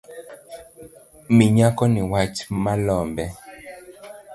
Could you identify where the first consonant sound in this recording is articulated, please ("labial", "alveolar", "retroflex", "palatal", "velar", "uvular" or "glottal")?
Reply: labial